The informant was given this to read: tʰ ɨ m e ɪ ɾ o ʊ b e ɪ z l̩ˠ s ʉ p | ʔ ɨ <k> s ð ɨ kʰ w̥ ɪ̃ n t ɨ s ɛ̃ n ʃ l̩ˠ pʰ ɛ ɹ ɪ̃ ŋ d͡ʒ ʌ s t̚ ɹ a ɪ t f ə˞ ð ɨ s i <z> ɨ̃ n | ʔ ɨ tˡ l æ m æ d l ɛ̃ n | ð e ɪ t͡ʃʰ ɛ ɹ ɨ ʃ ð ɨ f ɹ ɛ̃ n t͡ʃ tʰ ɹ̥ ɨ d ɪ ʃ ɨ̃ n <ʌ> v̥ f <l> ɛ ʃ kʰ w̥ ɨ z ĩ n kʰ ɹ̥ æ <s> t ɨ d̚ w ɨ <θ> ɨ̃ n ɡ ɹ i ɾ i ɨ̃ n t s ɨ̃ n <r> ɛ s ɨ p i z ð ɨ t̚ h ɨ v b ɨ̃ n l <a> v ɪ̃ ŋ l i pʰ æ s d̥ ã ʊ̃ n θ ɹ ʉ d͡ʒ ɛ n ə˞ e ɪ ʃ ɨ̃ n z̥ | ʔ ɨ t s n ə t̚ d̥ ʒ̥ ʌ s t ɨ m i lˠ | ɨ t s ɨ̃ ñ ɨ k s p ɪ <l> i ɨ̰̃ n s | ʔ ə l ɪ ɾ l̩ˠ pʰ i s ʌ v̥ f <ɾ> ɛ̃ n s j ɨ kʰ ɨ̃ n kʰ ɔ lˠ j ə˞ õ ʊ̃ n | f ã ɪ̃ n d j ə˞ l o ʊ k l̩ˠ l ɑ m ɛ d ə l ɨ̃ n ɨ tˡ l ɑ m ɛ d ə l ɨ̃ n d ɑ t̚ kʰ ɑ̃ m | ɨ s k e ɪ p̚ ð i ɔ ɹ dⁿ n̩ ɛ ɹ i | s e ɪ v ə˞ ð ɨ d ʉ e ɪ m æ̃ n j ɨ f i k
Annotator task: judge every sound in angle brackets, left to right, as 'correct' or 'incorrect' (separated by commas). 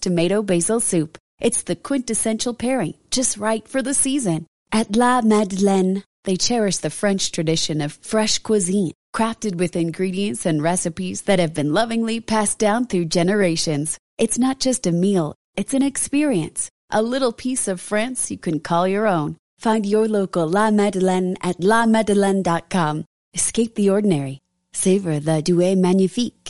incorrect, correct, correct, incorrect, incorrect, incorrect, incorrect, incorrect, incorrect, incorrect